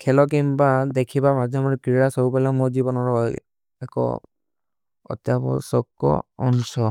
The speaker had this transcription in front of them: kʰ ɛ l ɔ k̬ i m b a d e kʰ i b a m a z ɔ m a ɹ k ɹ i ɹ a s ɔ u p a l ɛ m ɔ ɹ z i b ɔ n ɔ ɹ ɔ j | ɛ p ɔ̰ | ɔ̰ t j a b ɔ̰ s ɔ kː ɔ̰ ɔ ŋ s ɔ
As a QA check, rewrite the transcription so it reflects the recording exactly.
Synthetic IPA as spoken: kʰ ɛ l ɔ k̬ i m b a d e kʰ i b a m a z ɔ m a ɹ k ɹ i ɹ a s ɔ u p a l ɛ m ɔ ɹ z i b ɔ n ɔ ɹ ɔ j | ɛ k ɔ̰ | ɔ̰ t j a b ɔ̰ s ɔ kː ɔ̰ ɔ n s ɔ